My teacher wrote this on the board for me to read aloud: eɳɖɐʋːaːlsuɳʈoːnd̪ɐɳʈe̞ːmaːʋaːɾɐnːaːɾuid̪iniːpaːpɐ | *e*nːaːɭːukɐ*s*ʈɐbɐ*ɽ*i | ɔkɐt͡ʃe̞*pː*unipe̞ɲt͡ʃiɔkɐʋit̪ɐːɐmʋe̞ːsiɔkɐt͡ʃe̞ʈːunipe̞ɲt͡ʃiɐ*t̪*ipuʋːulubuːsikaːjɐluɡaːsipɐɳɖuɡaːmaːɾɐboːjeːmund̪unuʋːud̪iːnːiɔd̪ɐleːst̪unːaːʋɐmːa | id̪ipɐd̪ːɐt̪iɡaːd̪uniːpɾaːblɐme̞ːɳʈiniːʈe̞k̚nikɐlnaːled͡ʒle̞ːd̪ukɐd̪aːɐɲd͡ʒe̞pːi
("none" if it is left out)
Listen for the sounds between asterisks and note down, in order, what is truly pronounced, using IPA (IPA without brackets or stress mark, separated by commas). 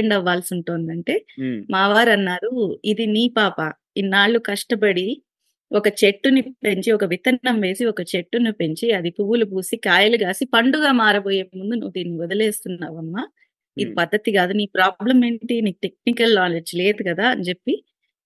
i, ʂ, ɽ, ʈː, d̪